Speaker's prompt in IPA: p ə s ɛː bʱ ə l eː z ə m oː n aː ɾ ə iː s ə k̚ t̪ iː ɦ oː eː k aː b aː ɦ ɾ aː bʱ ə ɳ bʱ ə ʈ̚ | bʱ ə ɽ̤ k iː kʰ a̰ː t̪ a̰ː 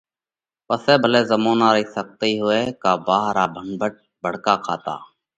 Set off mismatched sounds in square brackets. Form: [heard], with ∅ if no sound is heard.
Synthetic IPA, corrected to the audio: p ə s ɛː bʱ ə l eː z ə m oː n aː ɾ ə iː s ə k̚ t̪ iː ɦ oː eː k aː b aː ɦ ɾ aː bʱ ə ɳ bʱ ə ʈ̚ | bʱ ə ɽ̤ k [aː] kʰ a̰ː t̪ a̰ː